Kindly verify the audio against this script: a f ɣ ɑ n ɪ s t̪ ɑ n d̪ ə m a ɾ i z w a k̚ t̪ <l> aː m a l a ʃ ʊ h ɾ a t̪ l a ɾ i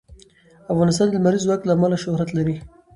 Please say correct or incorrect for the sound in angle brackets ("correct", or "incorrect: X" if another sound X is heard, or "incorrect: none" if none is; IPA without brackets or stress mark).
correct